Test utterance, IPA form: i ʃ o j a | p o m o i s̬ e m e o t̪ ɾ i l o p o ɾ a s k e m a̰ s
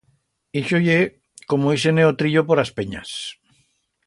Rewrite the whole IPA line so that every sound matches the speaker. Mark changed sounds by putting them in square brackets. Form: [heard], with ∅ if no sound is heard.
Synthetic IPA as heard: i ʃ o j [e] | [k] o m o i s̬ e [n] e o t̪ ɾ i [ʎ] o p o ɾ a s [p] e [ɲ] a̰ s